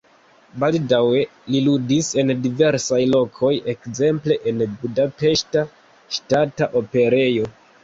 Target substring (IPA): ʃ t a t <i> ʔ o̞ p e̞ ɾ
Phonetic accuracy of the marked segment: incorrect: a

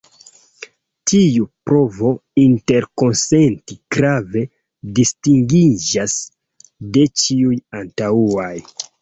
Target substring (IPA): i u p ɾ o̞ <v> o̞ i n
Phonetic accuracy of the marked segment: correct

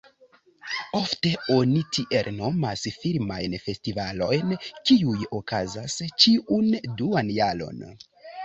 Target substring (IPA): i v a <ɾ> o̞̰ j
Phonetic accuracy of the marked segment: incorrect: l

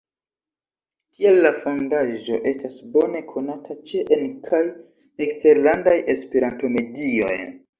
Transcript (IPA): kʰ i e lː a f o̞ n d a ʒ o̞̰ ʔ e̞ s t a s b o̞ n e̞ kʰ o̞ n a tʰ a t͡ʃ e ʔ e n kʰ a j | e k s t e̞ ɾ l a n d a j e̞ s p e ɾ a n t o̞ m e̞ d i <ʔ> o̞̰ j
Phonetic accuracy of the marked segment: incorrect: none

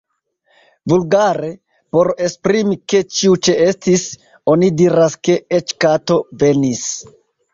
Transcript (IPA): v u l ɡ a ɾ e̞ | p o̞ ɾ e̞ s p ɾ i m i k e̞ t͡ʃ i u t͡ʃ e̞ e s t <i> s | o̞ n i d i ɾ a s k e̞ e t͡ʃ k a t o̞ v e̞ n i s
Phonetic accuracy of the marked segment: correct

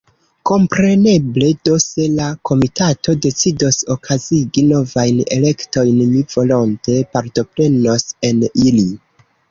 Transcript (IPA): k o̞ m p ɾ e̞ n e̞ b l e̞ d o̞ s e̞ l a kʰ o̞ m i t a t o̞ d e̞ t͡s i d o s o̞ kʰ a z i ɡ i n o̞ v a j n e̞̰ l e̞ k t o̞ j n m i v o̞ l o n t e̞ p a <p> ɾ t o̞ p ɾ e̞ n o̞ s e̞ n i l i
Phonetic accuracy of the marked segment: incorrect: none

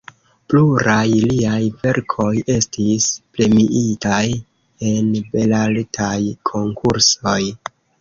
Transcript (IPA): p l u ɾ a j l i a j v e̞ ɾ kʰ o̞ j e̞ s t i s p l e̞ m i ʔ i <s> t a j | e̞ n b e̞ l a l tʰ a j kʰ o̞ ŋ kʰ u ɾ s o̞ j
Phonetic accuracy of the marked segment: incorrect: none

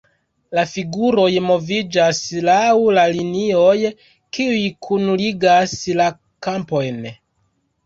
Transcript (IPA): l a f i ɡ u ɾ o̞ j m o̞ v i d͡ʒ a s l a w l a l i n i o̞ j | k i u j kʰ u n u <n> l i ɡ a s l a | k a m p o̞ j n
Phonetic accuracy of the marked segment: incorrect: none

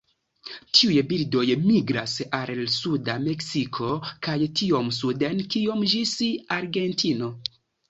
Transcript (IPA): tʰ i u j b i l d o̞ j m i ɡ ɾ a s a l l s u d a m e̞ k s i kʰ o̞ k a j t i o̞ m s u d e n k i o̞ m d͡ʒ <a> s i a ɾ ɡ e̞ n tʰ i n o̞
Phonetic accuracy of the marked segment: incorrect: i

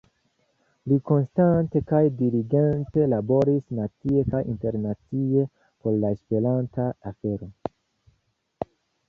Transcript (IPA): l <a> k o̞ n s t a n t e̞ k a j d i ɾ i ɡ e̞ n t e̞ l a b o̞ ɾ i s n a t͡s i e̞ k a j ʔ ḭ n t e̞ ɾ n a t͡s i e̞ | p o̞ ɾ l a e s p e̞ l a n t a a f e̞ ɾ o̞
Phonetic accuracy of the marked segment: incorrect: i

